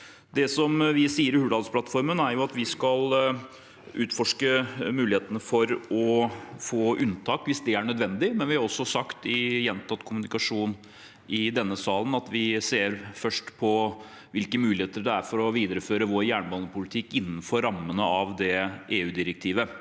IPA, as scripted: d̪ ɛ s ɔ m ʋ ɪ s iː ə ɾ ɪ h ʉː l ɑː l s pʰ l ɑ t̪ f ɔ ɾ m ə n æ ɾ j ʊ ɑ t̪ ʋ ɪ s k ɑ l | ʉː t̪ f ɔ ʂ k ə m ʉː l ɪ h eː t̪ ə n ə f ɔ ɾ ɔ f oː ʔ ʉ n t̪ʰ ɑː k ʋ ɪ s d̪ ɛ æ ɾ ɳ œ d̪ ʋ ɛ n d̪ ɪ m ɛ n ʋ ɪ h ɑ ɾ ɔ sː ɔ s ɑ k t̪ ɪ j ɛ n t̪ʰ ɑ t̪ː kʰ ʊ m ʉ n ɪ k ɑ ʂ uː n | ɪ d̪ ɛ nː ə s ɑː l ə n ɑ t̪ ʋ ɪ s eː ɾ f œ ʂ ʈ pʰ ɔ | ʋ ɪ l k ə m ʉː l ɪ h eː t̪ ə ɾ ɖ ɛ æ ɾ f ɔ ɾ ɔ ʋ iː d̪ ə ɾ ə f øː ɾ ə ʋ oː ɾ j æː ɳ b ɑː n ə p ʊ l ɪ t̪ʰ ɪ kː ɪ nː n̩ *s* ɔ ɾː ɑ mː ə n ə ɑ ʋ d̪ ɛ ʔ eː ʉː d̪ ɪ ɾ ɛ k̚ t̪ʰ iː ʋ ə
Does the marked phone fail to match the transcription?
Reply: yes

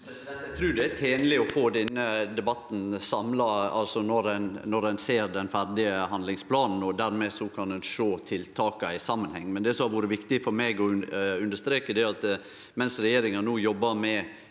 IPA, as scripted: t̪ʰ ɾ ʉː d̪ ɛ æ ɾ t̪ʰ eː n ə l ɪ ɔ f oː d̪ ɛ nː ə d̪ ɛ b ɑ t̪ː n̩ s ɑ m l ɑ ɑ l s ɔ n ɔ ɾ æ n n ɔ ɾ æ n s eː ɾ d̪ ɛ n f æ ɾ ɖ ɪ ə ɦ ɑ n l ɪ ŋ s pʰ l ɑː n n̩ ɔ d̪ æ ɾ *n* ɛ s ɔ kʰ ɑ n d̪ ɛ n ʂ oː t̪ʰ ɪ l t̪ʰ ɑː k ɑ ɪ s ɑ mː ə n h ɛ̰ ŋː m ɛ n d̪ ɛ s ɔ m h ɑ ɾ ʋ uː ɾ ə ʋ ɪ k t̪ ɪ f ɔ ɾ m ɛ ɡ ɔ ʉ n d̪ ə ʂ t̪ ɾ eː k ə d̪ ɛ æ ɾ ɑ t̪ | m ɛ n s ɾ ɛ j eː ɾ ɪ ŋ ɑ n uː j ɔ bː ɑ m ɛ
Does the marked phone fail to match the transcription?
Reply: yes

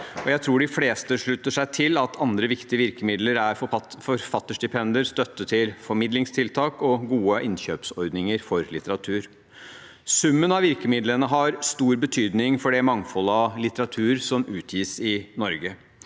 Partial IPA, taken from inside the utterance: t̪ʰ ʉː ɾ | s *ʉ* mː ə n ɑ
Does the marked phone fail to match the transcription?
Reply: no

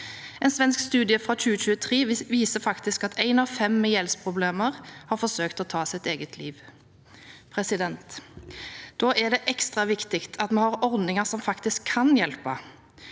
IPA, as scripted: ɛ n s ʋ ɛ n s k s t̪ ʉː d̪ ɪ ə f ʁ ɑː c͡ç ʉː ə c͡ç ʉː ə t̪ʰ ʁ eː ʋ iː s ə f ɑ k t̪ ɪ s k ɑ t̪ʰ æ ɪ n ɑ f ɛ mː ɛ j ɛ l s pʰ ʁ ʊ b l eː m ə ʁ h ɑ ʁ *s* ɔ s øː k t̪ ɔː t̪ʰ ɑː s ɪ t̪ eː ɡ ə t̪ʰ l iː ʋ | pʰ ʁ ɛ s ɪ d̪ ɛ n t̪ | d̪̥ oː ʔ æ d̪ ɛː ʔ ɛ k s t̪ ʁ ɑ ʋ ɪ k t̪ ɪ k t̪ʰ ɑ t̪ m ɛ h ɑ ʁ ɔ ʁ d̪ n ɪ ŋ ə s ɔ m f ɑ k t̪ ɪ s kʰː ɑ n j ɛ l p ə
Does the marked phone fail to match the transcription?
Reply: yes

